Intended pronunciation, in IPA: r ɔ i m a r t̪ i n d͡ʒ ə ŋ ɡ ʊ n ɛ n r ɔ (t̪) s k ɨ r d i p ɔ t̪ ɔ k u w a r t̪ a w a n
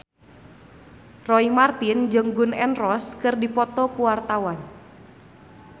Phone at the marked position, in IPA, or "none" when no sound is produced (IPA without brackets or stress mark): none